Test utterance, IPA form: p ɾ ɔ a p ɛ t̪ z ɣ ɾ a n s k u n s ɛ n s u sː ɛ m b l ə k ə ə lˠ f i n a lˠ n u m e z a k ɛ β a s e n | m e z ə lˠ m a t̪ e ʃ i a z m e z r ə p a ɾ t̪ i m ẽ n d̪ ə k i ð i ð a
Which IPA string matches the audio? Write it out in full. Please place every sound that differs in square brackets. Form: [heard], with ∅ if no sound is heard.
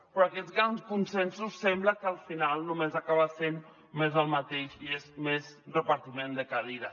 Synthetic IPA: p ɾ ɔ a [k] ɛ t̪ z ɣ ɾ a n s k u n s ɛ n s u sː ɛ m b l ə k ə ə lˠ f i n a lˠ n u m e z a k [a] β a s e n | m e z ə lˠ m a t̪ e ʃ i [e] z m e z r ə p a ɾ t̪ i m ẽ n d̪ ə k [a] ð i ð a